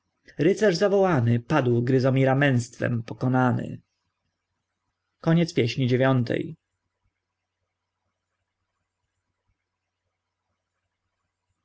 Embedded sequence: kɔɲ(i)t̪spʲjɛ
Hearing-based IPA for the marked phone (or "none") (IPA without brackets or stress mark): ɛ